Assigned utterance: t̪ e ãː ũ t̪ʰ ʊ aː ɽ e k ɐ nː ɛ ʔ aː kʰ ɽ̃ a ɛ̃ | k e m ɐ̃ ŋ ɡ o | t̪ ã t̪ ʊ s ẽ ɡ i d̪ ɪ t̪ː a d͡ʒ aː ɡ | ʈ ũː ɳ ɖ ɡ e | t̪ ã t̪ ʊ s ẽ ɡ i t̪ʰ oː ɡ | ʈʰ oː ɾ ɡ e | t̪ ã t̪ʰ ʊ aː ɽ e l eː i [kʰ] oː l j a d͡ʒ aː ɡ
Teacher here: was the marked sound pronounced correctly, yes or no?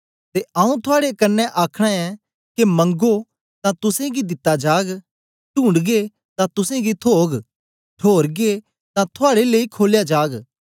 yes